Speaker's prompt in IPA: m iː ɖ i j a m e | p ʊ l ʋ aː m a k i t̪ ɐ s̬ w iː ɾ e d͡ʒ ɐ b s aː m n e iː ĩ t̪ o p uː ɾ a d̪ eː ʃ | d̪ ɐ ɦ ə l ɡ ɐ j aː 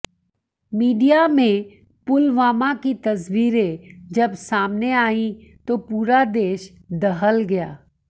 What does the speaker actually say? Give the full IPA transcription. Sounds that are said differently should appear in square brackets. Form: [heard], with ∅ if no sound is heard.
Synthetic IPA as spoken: m iː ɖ i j a m [ẽ] | p ʊ l ʋ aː m a k i t̪ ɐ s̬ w iː ɾ e d͡ʒ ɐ b s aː m n e [aː] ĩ t̪ o p uː ɾ a d̪ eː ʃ | d̪ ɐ ɦ ə l ɡ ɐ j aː